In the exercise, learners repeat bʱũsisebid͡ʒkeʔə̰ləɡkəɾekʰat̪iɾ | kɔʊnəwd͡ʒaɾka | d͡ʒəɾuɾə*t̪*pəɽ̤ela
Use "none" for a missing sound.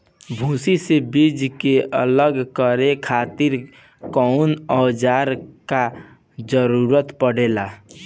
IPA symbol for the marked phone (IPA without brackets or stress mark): t̪